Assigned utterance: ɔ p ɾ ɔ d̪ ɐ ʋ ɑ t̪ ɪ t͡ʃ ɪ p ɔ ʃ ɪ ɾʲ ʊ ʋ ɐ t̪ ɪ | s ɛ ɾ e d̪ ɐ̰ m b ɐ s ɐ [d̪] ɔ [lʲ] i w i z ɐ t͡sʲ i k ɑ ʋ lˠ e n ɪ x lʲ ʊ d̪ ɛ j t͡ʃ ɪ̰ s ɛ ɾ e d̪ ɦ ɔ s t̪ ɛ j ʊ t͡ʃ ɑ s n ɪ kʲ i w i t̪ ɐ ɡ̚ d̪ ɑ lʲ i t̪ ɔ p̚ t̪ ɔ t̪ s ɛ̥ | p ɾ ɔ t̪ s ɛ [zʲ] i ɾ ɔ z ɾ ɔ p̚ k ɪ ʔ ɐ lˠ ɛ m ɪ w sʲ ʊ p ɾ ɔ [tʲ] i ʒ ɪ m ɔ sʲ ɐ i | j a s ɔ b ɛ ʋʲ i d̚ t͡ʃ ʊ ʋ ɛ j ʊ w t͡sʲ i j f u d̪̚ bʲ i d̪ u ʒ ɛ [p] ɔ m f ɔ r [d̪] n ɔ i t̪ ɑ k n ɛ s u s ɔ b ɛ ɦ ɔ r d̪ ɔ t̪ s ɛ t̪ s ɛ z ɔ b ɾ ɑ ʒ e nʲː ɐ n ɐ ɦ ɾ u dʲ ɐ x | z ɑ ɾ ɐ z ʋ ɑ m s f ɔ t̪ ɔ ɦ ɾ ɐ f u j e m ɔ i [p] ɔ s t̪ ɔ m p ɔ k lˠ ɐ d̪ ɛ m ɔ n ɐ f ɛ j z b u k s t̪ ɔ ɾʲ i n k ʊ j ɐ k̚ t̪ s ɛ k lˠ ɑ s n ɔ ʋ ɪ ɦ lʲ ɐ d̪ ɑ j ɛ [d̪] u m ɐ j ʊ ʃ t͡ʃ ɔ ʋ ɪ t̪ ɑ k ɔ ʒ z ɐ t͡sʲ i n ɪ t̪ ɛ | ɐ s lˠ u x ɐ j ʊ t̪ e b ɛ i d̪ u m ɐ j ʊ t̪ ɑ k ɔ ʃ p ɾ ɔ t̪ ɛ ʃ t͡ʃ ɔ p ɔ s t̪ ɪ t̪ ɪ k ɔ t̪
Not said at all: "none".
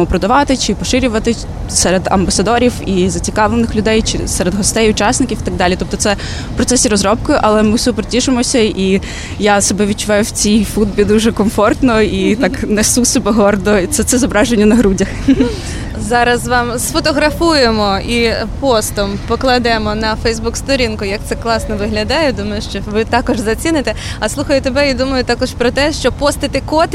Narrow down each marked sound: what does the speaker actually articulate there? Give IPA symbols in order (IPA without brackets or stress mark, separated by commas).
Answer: d̪, ɾʲ, sʲ, tʲ, k, t̪, p, d̪